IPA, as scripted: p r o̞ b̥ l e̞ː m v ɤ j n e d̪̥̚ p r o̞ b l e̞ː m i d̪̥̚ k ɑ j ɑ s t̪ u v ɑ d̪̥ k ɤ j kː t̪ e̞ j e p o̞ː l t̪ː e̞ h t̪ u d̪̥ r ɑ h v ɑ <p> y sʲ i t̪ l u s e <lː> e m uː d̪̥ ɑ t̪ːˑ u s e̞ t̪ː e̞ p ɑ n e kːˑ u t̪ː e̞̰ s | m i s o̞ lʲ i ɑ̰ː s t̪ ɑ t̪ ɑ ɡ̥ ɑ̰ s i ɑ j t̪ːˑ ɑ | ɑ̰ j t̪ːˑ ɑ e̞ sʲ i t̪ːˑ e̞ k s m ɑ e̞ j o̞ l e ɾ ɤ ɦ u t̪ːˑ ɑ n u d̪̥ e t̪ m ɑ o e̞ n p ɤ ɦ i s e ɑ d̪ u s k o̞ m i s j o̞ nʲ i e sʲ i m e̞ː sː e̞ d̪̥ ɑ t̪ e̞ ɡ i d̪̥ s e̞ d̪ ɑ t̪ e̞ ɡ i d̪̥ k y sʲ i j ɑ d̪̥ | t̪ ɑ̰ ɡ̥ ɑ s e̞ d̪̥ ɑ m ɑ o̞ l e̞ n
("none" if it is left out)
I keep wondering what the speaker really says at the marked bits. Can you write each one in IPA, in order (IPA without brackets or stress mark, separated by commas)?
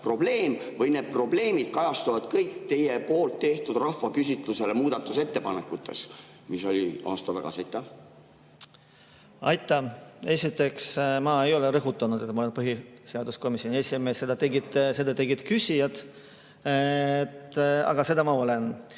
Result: k, l